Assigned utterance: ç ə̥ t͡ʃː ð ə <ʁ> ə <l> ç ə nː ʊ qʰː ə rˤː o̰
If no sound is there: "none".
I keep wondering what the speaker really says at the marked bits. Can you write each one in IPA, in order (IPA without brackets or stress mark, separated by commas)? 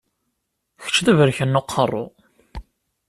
v, ɾ